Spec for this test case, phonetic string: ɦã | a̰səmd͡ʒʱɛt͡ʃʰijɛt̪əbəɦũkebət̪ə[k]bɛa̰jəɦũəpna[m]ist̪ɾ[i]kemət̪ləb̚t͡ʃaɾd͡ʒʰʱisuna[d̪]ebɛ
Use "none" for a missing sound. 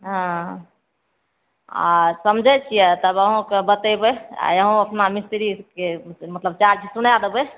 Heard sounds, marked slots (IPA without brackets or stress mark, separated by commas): none, m, i, d̪